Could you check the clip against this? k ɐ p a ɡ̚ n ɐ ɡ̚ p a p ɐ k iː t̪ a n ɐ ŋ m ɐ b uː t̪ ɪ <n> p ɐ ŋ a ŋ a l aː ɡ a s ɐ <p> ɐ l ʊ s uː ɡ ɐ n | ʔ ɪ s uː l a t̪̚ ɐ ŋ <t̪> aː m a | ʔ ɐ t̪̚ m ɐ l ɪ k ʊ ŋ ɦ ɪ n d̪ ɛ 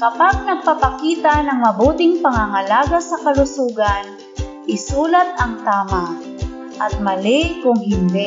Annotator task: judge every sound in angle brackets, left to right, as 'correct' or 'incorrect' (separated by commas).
incorrect, incorrect, correct